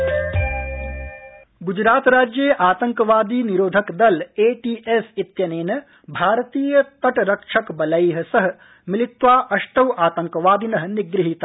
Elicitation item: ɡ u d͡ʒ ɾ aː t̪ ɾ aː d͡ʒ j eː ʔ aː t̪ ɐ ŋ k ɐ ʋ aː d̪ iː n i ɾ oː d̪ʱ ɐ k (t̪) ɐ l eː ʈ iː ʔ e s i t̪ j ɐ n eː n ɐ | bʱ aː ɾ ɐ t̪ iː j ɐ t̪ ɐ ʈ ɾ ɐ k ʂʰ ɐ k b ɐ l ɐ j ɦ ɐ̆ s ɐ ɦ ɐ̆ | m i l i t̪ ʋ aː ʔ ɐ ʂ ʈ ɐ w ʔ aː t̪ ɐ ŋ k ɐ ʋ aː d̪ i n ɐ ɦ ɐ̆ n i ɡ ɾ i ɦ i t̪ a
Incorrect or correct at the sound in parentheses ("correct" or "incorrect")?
incorrect